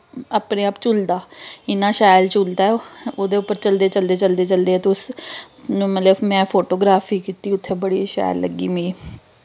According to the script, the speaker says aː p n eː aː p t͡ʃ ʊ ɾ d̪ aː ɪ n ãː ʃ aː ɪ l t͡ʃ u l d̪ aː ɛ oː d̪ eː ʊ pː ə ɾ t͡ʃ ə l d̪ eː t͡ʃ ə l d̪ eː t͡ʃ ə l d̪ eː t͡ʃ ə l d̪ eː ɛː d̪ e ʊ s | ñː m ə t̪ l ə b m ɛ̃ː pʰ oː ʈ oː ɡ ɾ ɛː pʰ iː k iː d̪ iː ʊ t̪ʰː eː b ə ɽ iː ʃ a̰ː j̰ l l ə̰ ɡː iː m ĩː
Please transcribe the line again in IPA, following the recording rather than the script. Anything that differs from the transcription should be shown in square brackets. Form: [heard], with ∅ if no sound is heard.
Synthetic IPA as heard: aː p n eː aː p t͡ʃ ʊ [l] d̪ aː ɪ n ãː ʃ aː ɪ l t͡ʃ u l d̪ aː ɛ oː d̪ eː ʊ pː ə ɾ t͡ʃ ə l d̪ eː t͡ʃ ə l d̪ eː t͡ʃ ə l d̪ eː t͡ʃ ə l d̪ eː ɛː [t̪] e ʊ s | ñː m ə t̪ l ə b m ɛ̃ː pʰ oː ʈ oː ɡ ɾ [aː] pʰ iː k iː [t̪] iː ʊ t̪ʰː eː b ə ɽ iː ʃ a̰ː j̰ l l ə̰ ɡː iː m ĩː